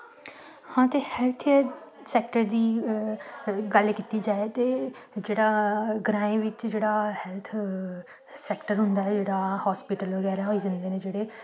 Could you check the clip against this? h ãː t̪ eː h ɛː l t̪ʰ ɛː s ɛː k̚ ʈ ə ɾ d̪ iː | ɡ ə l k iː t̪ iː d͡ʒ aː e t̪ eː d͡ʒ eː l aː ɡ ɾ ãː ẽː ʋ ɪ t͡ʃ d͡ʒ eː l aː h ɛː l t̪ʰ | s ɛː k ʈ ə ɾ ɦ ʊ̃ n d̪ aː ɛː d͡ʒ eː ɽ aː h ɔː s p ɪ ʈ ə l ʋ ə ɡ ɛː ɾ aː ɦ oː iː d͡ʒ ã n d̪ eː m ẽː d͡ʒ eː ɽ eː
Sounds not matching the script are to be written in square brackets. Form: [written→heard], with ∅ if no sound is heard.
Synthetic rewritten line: h ãː t̪ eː h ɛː l t̪ʰ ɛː s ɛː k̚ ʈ ə ɾ d̪ iː | ɡ ə l k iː t̪ iː d͡ʒ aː e t̪ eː d͡ʒ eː [l→ɽ] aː ɡ ɾ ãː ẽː ʋ ɪ t͡ʃ d͡ʒ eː [l→ɽ] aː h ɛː l t̪ʰ | s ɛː k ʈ ə ɾ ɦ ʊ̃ n d̪ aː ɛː d͡ʒ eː ɽ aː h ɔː s p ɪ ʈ ə l ʋ ə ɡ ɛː ɾ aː ɦ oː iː d͡ʒ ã n d̪ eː [m→n] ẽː d͡ʒ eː ɽ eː